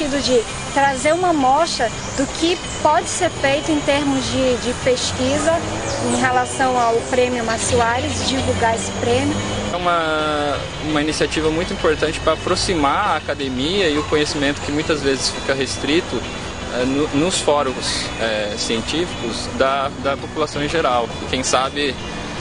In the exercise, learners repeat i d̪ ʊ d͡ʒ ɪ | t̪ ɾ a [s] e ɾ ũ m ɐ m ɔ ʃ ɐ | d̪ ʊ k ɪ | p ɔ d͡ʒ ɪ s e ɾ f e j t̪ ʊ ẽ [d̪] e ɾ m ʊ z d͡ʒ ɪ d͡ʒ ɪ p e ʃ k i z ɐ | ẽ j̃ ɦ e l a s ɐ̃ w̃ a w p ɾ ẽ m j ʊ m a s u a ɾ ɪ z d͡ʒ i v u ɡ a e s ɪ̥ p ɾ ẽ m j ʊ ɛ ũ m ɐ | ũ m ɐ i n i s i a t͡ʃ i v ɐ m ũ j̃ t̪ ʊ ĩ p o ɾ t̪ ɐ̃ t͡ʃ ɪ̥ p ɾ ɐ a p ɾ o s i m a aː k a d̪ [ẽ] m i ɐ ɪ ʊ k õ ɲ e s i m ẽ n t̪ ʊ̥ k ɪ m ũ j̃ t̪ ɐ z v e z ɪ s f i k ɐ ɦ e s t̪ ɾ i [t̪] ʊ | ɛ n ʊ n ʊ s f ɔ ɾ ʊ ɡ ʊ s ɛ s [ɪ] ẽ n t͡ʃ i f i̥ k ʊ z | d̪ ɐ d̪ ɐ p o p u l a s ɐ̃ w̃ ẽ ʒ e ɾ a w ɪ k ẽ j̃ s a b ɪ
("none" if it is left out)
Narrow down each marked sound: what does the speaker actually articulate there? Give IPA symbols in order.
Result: z, t̪, e, t̪, i

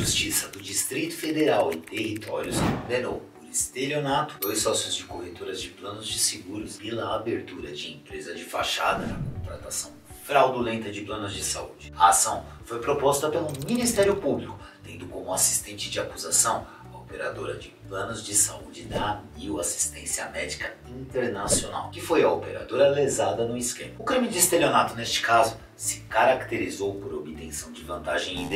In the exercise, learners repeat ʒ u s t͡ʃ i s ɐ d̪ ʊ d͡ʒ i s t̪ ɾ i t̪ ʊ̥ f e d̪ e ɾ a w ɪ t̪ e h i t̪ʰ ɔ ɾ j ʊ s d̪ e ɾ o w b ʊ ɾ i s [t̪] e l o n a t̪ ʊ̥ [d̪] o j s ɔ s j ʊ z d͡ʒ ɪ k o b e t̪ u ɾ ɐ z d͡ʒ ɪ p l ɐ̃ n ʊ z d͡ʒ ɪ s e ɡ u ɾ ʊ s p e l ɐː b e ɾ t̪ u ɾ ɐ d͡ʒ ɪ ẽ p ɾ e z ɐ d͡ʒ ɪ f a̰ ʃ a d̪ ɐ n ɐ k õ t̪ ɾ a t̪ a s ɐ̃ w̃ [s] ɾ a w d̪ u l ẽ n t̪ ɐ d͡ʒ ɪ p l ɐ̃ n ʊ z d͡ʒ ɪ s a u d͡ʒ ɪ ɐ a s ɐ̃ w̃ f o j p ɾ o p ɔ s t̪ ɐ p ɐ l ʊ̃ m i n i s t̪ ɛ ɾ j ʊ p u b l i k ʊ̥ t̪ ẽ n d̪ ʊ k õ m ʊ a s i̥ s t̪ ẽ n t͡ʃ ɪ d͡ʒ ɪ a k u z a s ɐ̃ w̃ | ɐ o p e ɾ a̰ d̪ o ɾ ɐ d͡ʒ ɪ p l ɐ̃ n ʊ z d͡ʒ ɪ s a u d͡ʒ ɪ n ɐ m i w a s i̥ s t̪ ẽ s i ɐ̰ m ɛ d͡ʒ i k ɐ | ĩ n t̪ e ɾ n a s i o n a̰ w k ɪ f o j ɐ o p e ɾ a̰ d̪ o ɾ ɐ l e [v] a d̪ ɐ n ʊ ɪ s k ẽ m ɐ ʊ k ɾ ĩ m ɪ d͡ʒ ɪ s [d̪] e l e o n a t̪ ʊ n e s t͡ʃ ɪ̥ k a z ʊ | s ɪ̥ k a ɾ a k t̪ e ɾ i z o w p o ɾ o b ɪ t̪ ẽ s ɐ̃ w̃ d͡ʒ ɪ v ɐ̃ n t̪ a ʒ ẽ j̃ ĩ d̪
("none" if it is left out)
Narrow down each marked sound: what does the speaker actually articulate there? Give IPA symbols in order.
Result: t̪, d̪, f, z, t̪

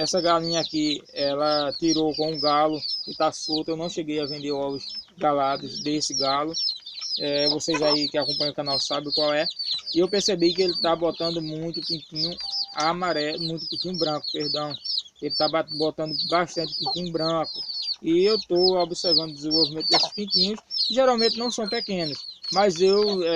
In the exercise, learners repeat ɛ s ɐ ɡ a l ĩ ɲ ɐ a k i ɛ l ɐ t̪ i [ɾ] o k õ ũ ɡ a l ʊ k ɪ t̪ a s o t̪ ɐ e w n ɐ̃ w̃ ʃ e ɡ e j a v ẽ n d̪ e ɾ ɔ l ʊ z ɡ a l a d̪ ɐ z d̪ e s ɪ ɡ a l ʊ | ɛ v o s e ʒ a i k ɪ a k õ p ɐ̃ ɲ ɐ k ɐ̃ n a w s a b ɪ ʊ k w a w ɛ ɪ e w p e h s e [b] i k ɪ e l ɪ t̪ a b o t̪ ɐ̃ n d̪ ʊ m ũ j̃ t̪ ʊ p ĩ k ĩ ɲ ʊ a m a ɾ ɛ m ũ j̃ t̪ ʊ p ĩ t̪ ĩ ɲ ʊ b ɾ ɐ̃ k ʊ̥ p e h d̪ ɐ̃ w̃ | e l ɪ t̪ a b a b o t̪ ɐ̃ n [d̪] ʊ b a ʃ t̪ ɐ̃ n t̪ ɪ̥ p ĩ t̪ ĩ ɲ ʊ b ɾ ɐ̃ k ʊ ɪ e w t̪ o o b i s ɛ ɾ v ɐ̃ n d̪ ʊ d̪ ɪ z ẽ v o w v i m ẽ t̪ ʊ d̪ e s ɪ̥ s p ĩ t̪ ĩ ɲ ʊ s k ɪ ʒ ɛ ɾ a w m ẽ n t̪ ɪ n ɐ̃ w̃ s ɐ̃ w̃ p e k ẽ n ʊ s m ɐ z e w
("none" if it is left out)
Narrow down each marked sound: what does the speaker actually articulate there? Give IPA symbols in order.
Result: ɾ, b, d̪

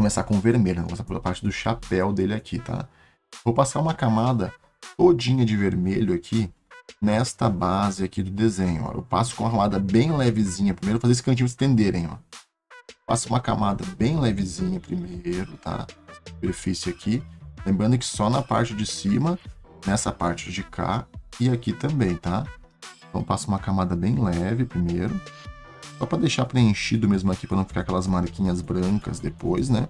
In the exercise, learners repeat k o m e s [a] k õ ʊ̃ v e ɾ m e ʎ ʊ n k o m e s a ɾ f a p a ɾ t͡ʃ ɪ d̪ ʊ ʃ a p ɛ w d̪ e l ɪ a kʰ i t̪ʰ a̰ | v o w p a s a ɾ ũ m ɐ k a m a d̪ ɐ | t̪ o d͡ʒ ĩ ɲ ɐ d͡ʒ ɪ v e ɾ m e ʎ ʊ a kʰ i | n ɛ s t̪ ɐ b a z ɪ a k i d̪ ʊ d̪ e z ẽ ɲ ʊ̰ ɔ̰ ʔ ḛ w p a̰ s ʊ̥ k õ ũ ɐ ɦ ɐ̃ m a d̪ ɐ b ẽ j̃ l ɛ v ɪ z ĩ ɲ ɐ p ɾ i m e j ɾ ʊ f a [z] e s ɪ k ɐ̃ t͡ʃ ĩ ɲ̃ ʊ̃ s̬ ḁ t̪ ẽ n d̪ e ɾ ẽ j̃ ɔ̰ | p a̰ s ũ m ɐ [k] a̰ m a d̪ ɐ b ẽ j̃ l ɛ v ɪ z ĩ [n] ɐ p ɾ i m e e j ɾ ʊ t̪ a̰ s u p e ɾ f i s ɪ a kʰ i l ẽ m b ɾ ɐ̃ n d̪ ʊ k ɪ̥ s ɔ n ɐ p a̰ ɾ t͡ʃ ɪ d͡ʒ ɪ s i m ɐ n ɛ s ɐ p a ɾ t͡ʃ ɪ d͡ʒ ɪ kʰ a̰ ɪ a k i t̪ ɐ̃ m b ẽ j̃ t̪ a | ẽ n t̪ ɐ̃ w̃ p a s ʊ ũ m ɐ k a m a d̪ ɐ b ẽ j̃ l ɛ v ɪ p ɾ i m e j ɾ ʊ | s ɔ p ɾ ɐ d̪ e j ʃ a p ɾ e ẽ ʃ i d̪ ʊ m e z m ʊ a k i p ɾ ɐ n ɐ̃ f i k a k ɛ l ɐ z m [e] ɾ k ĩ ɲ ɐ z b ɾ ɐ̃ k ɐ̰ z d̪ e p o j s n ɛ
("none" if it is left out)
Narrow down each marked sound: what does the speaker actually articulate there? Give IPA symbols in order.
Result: a, z, k, ɲ, a

